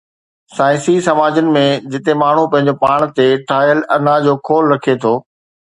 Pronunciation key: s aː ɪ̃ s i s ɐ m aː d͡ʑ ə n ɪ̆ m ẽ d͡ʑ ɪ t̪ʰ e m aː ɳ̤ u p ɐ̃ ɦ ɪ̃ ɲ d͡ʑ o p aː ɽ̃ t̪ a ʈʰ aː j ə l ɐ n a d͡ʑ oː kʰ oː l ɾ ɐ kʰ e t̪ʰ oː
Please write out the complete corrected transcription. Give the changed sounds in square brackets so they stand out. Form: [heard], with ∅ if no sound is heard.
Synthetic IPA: s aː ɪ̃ s i s ɐ m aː d͡ʑ ə n ɪ̆ m ẽ d͡ʑ ɪ [t̪] e m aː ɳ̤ u p ɐ̃ ɦ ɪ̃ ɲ d͡ʑ o p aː ɽ̃ t̪ [e] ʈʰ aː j ə l ɐ n a d͡ʑ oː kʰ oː l ɾ ɐ kʰ e t̪ʰ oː